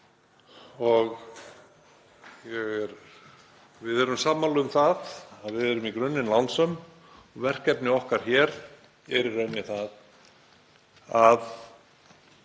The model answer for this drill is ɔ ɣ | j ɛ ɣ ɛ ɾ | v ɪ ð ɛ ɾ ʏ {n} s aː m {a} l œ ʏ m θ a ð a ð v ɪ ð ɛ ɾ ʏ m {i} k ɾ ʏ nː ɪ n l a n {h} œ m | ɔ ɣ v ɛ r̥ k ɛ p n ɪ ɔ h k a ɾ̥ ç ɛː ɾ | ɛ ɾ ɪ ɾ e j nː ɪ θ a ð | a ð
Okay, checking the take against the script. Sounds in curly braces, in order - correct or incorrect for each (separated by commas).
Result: incorrect, correct, correct, incorrect